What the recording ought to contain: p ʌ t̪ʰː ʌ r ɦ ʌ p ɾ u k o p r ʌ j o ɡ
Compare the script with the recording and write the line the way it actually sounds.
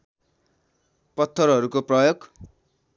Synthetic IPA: p ʌ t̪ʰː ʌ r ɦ ʌ ɾ u k o p r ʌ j o ɡ